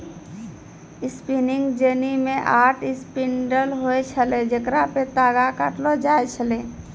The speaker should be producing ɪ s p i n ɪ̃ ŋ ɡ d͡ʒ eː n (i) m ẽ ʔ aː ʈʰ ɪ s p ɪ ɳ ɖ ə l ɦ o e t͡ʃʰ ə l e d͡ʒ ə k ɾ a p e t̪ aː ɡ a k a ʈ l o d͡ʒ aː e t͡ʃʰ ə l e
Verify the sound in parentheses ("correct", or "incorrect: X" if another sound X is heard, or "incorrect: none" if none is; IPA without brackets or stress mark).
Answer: correct